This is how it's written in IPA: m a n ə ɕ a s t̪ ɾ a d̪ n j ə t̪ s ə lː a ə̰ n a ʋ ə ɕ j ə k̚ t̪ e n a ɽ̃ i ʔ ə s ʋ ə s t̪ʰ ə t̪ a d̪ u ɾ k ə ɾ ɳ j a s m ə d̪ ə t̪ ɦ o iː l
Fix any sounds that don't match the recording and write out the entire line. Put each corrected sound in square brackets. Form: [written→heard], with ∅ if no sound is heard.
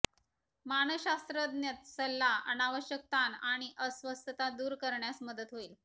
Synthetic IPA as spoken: m a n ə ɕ a s t̪ ɾ [a→ə] d̪ n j ə t̪ s ə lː a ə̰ n a ʋ ə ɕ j ə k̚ t̪ [e→a] n a ɽ̃ i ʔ ə s ʋ ə s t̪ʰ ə t̪ a d̪ [u→uː] ɾ k ə ɾ ɳ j a s m ə d̪ ə t̪ ɦ o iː l